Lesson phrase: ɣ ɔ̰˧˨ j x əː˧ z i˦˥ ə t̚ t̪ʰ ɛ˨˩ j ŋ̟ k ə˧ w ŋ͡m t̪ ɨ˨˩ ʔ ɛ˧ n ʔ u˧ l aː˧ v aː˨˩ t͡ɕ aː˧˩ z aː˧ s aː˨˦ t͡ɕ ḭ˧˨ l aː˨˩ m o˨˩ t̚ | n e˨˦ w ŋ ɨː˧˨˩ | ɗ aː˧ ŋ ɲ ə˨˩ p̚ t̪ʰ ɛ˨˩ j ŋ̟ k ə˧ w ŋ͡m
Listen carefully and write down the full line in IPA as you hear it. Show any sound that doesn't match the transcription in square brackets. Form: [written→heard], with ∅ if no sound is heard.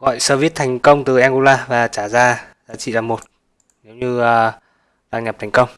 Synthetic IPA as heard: ɣ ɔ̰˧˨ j [x→s] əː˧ [z→v] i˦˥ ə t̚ t̪ʰ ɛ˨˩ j ŋ̟ k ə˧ w ŋ͡m t̪ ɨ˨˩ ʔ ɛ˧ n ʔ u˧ l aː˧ v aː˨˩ t͡ɕ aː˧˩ z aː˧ [s→z] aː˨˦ t͡ɕ ḭ˧˨ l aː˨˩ m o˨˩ t̚ | n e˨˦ w [ŋ→ɲ] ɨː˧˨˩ | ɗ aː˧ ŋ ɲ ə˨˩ p̚ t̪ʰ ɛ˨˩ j ŋ̟ k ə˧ w ŋ͡m